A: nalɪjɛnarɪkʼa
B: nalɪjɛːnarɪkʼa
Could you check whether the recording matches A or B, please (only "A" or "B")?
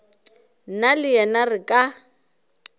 A